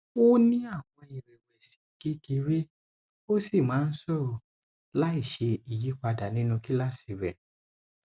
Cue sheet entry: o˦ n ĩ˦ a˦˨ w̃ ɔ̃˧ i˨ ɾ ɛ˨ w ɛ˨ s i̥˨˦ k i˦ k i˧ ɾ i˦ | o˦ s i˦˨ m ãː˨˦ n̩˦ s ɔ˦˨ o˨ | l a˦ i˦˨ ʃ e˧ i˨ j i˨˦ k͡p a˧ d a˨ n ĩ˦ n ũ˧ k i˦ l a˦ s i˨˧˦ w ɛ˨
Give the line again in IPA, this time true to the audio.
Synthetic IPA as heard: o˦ n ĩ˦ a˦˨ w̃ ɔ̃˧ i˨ ɾ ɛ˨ w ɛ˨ s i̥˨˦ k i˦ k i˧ ɾ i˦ | o˦ s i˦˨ m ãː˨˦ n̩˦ s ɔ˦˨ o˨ | l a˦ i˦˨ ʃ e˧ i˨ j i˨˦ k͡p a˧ d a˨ n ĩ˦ n ũ˧ k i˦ l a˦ s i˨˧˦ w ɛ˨